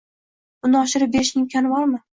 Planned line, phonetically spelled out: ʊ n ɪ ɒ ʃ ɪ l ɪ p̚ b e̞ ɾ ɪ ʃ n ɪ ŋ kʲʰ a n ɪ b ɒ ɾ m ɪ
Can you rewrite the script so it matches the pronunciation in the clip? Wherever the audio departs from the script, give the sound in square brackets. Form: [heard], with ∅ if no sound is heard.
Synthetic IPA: ʊ n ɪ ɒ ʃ ɪ [ɾ] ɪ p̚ b e̞ ɾ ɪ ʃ n ɪ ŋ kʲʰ a n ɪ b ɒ ɾ m ɪ